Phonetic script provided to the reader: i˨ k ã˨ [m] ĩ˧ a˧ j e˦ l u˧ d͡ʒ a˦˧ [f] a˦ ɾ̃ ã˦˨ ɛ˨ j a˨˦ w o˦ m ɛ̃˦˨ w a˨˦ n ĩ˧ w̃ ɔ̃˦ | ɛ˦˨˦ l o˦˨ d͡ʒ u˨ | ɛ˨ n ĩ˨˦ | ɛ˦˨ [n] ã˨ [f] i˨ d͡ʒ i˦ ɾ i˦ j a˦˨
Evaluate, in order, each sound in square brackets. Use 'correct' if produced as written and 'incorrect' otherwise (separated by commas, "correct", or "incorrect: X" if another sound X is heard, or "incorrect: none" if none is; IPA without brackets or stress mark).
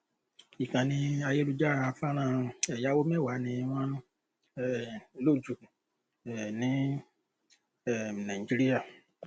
incorrect: n, correct, correct, incorrect: none